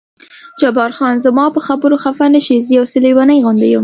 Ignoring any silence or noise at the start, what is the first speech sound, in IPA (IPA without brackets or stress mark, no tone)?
d͡ʒ